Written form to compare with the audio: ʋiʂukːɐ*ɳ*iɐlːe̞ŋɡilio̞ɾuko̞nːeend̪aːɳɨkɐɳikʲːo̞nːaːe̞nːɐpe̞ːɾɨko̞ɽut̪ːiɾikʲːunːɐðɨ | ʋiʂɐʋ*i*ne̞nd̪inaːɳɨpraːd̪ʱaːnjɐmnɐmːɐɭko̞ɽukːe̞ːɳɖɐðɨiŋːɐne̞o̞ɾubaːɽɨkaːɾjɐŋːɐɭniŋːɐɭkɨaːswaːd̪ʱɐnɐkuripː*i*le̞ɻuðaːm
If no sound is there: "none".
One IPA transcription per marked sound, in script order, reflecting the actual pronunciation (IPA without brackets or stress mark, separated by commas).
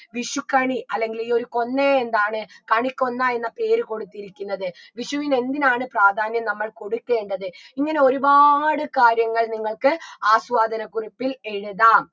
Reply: ɳ, i, i